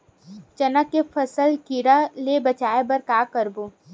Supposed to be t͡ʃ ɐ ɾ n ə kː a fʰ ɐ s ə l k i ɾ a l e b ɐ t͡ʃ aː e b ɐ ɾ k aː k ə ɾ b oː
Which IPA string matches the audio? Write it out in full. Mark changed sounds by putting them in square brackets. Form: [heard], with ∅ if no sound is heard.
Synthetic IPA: t͡ʃ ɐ [∅] n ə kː [e] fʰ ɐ s ə l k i ɾ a l e b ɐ t͡ʃ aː e b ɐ ɾ k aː k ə ɾ b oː